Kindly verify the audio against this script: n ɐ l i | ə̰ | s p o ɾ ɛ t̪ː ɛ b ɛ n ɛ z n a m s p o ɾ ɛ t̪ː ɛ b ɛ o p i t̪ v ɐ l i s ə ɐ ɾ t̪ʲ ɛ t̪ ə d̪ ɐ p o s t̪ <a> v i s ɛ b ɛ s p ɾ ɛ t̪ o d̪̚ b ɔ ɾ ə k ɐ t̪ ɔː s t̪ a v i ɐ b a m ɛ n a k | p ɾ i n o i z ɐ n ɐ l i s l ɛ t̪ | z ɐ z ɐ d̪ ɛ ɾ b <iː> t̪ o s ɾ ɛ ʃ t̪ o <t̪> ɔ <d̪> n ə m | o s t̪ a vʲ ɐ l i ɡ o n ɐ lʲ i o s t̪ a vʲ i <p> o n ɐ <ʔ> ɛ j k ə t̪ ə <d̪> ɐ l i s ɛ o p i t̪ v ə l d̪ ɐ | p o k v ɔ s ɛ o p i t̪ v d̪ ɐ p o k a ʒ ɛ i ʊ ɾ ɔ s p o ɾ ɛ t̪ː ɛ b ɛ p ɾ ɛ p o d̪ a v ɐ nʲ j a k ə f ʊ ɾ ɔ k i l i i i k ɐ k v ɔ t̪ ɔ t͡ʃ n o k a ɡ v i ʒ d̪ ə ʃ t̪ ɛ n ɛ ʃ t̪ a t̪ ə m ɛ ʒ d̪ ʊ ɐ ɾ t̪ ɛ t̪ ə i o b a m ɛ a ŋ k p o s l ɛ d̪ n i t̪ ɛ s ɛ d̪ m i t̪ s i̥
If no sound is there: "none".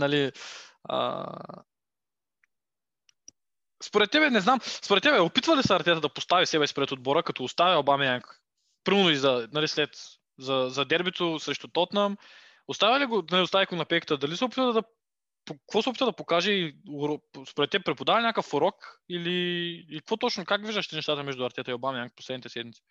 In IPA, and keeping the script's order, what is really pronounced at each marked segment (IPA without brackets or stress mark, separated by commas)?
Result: a, i, t̪, t̪, k, p, d̪